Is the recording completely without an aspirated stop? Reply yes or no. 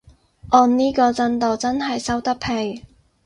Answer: no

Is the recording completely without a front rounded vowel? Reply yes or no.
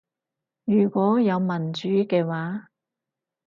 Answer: no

